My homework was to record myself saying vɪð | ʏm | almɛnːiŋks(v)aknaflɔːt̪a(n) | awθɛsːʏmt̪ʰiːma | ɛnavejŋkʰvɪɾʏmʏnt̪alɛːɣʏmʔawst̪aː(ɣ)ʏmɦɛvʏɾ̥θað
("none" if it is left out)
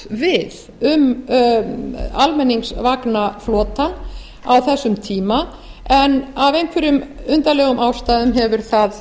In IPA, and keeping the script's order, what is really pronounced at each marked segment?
v, n, ð

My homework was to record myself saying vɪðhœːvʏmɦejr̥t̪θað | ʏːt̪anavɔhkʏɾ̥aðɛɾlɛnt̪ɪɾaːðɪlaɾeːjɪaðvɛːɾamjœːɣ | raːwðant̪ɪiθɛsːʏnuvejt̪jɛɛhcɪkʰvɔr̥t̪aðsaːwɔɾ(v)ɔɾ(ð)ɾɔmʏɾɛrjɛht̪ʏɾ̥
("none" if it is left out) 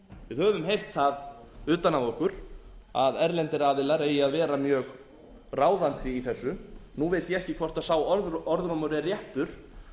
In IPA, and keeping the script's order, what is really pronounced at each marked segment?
ð, ð

